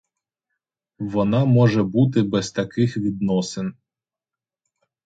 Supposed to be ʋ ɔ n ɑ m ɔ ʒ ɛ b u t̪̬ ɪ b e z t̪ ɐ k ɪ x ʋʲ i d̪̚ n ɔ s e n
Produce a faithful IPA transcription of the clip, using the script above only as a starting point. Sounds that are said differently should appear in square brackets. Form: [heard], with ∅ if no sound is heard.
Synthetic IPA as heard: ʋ ɔ n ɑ m ɔ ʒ ɛ b u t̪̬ ɪ b [ɛ] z t̪ ɐ k ɪ x ʋʲ i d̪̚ n ɔ s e n